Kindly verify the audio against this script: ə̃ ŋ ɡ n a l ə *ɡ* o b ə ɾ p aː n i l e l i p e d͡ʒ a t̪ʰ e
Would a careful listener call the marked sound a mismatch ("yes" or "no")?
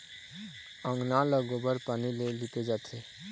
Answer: no